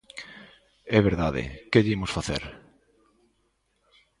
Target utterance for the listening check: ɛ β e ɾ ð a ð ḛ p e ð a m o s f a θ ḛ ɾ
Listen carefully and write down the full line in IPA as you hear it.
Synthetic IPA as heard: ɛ β e ɾ ð a ð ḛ k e ð i m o s f a θ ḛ ɾ